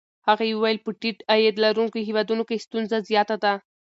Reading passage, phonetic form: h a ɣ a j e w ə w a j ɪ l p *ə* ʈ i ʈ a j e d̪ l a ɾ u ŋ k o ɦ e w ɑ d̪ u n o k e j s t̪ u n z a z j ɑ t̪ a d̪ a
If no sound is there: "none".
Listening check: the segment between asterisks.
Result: ə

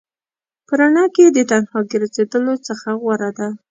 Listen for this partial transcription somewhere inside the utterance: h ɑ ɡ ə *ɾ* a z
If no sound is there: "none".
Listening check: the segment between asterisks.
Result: ɾ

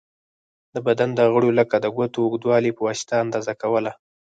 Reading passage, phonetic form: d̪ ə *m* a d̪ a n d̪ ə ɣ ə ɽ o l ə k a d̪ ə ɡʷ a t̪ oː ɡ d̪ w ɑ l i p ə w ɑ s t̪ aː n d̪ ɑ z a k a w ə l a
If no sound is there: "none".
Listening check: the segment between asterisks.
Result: b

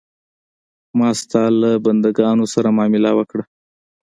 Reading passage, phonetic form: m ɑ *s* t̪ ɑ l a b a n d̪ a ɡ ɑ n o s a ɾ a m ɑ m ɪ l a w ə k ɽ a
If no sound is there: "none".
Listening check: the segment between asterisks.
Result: s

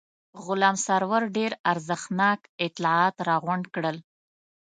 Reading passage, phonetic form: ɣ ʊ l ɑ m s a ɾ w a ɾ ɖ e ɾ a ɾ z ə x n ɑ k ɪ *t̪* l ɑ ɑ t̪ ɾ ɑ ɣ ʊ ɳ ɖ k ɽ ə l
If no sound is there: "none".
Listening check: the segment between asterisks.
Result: t̪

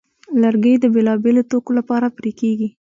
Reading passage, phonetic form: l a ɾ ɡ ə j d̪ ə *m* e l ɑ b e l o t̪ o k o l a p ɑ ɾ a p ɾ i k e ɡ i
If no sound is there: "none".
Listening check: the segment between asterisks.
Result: b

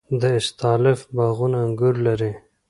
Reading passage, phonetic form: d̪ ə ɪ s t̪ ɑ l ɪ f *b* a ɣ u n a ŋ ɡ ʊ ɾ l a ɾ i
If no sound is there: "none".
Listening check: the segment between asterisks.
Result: b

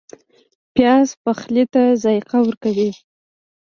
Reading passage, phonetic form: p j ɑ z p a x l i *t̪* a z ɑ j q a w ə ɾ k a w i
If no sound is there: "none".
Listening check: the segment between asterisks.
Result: t̪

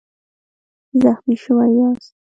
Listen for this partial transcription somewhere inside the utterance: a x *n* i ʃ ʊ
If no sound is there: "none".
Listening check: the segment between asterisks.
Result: m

